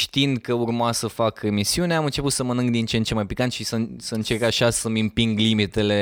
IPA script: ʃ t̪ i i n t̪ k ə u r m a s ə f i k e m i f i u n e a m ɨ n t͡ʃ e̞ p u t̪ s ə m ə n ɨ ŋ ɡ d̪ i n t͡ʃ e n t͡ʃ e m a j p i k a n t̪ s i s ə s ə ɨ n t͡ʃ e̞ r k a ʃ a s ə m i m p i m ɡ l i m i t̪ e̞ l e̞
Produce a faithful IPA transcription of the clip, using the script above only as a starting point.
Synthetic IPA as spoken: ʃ t̪ i i n d̪ k ə u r m a s ə f a k e m i s i u n e a m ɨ n t͡ʃ e̞ p u t̪ s ə m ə n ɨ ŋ ɡ d̪ i n t͡ʃ e n t͡ʃ e m a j p i k a n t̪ ʃ i s ə s ə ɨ n t͡ʃ e̞ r k a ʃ a s ə m i m p i ŋ ɡ l i m i t̪ e̞ l e̞